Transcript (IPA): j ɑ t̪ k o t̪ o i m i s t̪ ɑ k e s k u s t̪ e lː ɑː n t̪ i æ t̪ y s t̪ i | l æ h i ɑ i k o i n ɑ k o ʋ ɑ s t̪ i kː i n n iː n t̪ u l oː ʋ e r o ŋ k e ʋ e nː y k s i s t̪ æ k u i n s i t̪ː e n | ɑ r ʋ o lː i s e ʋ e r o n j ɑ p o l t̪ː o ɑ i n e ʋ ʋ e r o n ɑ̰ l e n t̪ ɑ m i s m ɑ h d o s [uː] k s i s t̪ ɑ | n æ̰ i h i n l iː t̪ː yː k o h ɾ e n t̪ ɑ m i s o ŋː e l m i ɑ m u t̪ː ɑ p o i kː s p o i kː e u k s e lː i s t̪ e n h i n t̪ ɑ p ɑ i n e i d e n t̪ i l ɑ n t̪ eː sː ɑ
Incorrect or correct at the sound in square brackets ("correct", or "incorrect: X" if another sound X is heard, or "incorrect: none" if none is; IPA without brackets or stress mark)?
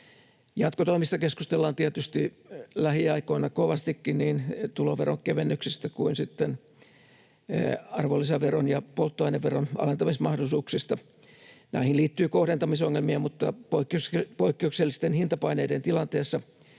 correct